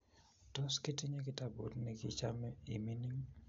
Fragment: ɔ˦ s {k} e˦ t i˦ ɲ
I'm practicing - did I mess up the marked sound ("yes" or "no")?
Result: no